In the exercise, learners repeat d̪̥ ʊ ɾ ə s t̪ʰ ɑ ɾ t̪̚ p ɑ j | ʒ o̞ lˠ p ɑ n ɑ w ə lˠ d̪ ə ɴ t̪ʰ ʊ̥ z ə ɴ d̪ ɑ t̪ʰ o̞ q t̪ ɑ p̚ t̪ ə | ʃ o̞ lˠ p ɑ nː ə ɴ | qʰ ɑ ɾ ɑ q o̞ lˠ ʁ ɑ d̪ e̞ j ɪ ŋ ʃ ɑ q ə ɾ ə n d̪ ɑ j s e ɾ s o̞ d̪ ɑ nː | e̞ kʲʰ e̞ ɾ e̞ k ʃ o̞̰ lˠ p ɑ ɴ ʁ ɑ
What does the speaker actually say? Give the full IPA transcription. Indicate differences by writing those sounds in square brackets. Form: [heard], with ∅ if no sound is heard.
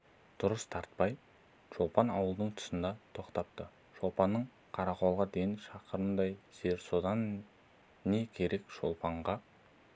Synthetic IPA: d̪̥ ʊ ɾ ə s t̪ʰ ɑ ɾ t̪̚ p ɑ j | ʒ o̞ lˠ p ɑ n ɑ w ə lˠ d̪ ə ɴ t̪ʰ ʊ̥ [s] ə [n] d̪ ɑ t̪ʰ o̞ q t̪ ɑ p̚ t̪ ə | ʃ o̞ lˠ p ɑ nː ə ɴ | qʰ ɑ ɾ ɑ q o̞ lˠ ʁ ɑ d̪ e̞ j ɪ [n] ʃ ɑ q ə ɾ ə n d̪ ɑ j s e ɾ s o̞ d̪ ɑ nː | e̞ kʲʰ e̞ ɾ e̞ k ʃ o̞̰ lˠ p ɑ ɴ ʁ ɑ